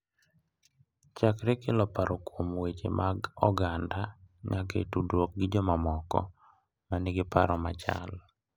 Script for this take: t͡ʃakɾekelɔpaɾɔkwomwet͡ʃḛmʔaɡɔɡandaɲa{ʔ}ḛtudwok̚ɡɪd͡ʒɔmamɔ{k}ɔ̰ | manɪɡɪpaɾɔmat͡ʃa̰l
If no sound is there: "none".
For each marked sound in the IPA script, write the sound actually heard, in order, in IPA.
k, k

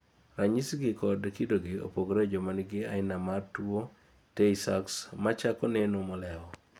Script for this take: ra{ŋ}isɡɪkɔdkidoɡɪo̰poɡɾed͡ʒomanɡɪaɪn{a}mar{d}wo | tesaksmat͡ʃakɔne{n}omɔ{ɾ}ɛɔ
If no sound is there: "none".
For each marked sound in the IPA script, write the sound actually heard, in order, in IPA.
ɲ, a, t, n, l

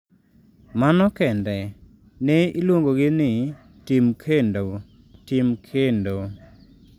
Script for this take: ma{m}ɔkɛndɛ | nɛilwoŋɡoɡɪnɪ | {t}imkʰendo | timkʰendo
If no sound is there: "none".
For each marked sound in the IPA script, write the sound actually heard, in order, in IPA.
n, t

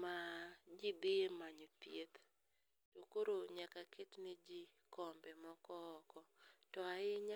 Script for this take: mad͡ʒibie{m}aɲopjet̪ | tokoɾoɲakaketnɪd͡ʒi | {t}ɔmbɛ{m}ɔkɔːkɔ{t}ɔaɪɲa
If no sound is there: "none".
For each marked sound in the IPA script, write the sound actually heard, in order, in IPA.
m, k, m, t

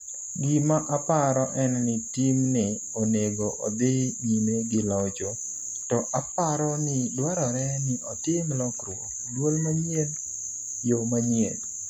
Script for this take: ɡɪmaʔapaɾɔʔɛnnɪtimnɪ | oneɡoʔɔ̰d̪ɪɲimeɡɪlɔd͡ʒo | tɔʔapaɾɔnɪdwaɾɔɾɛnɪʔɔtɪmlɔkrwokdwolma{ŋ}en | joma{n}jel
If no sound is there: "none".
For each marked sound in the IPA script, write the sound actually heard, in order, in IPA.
ɲ, ɲ

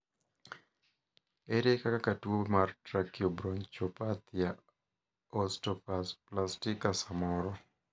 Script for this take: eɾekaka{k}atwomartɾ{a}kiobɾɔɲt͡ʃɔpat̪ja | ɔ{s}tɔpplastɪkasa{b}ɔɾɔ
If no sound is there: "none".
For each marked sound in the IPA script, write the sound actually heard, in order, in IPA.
k, a, s, m

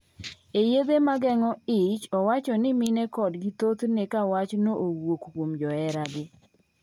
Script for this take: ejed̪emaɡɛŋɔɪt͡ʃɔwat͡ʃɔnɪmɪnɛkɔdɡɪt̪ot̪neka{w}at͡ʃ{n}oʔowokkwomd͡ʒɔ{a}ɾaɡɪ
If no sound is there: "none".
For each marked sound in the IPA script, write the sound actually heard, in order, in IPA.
w, n, ɛ

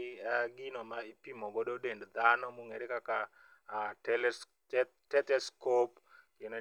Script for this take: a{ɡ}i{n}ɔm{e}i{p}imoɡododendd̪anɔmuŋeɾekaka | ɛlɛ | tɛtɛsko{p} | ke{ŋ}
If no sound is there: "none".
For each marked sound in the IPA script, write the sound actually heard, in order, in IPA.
ɡ, n, a, p, p, n

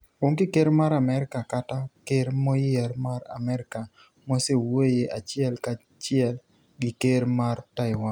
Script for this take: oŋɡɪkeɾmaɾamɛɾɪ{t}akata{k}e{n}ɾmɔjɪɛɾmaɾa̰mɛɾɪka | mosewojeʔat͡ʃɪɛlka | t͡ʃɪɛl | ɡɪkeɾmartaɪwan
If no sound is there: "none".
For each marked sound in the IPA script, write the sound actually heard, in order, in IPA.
k, k, none

